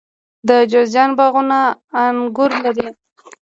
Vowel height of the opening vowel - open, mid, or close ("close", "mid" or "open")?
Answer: mid